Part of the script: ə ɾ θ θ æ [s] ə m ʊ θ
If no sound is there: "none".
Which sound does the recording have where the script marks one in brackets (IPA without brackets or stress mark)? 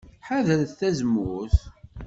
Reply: z